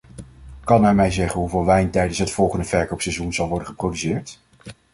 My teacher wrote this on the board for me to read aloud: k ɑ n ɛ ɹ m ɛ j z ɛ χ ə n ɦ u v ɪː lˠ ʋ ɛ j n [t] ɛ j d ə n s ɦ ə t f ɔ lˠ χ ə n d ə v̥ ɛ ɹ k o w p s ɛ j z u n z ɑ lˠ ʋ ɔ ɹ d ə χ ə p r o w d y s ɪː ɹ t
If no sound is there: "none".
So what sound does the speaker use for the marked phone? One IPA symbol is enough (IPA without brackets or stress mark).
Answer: t